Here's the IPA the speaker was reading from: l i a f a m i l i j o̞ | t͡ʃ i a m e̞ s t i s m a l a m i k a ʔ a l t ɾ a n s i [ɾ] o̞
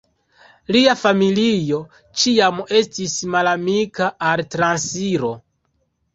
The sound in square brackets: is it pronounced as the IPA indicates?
yes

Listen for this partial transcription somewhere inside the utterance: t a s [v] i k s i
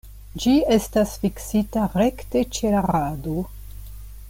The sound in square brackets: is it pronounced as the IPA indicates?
no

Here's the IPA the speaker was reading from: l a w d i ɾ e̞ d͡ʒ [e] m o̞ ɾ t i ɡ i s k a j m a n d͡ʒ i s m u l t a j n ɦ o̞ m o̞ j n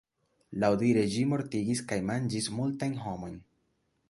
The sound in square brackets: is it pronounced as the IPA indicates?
no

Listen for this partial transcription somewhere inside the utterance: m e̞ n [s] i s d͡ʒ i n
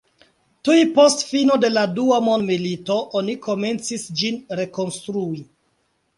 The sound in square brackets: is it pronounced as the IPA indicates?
no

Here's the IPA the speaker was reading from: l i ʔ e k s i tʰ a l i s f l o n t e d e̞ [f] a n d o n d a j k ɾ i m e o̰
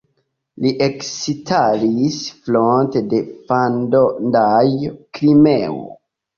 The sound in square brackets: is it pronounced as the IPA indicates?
yes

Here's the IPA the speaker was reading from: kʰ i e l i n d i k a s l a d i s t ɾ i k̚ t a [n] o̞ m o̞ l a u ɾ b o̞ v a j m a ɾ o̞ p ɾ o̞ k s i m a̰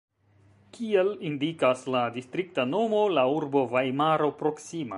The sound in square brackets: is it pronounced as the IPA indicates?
yes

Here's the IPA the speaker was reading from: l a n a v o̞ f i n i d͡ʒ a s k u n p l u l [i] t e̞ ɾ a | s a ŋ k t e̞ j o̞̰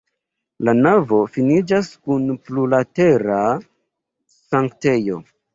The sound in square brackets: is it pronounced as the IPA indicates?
no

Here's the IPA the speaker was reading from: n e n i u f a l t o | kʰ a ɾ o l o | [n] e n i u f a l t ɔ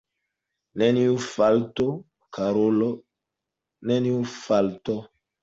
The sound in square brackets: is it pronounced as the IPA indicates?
yes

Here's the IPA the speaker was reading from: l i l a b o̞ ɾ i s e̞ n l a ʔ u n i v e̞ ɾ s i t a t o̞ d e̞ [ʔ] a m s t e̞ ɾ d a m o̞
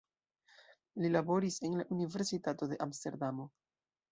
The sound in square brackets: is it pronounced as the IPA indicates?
yes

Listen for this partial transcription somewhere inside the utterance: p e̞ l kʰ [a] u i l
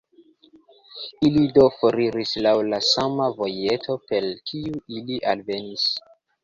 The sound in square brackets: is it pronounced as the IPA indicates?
no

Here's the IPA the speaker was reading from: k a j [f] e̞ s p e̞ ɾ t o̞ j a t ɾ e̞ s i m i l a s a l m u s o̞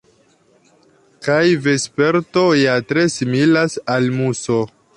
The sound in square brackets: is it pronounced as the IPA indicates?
no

